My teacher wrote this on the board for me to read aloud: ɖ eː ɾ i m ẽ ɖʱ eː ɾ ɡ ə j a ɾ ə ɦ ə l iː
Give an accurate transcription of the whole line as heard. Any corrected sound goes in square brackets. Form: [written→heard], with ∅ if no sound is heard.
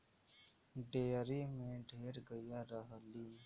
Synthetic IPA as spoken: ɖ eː ɾ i m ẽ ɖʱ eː ɾ ɡ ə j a ɾ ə ɦ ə l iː